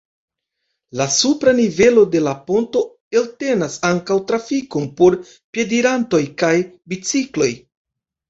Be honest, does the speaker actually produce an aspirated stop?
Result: no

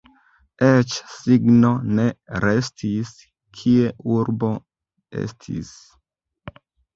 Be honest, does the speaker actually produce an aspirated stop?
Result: yes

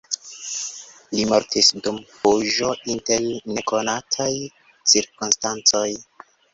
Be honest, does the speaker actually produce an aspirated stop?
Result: yes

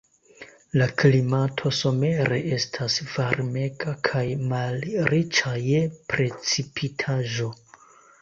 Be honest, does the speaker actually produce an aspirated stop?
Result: yes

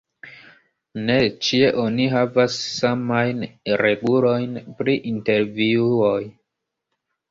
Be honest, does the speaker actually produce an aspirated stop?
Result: no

